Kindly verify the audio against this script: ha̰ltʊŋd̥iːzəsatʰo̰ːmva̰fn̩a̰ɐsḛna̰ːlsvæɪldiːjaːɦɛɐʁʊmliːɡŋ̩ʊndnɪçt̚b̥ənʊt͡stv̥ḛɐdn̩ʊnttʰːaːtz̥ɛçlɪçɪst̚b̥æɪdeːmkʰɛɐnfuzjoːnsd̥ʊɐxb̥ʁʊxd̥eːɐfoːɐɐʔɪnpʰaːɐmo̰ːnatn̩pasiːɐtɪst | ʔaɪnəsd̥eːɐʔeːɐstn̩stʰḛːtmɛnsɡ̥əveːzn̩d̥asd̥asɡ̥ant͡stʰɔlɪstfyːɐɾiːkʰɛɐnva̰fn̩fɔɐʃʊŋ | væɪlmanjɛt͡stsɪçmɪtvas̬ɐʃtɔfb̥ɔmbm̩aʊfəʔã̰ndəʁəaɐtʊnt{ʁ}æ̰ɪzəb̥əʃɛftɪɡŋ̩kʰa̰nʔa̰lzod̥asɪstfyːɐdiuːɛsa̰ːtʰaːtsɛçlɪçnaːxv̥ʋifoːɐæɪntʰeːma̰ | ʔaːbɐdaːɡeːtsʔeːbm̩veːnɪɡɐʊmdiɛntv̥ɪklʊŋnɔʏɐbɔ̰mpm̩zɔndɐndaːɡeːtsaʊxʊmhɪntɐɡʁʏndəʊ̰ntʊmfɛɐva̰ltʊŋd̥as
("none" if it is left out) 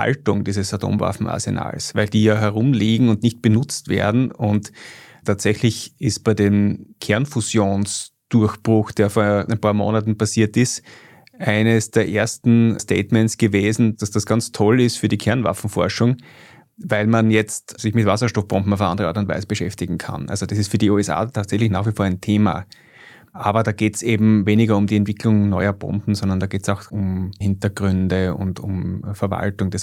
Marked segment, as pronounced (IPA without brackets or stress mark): v